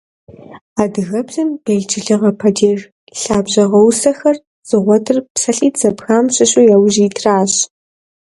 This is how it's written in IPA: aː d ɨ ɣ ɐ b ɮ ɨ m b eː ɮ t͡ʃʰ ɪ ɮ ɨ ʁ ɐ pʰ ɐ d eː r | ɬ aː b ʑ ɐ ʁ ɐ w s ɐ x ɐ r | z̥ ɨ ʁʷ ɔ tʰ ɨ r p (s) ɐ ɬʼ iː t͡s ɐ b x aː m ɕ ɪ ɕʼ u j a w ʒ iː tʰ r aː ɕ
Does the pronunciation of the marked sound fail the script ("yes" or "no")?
no